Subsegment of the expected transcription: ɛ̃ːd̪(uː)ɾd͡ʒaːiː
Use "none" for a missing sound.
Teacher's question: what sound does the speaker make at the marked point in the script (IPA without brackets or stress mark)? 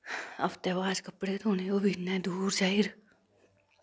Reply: uː